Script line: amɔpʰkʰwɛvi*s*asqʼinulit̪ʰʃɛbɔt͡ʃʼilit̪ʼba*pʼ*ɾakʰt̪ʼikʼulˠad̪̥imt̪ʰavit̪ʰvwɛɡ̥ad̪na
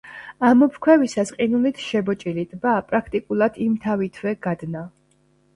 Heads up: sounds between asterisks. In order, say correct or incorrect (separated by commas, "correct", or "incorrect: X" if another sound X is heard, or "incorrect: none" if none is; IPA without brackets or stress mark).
correct, correct